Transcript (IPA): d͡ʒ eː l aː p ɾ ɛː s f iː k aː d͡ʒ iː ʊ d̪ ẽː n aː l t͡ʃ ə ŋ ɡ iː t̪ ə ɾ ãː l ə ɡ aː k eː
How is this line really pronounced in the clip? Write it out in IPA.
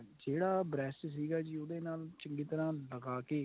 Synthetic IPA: d͡ʒ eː ɽ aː b ɾ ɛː s s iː ɡ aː d͡ʒ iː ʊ d̪ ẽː n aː l t͡ʃ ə ŋ ɡ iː t̪ ə ɾ ãː l ə ɡ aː k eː